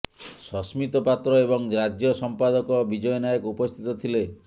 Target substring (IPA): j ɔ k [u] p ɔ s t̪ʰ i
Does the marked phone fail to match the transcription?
no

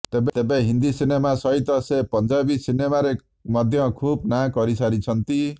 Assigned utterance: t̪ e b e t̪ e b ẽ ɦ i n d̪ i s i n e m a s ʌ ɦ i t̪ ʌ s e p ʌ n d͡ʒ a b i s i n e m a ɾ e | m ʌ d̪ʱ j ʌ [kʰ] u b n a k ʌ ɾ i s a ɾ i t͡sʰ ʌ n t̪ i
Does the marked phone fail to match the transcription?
no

